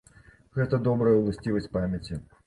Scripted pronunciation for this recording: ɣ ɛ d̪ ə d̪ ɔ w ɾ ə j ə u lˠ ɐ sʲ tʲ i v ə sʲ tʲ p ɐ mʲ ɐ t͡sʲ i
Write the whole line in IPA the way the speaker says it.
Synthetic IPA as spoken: ɣ ɛ t̪ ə d̪ ɔ b ɾ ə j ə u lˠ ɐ sʲ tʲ i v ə sʲ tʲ p a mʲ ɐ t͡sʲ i